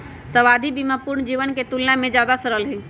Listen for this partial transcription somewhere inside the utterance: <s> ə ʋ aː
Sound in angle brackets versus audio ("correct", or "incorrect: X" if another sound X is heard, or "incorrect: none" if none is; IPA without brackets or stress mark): correct